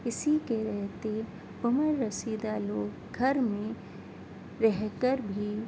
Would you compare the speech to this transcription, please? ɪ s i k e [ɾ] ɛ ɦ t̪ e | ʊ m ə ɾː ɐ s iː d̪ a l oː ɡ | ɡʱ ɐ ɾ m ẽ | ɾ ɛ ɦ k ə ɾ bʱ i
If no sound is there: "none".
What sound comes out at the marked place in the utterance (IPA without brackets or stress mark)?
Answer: ɾ